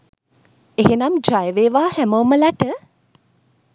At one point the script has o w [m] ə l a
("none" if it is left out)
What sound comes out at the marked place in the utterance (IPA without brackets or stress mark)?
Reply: m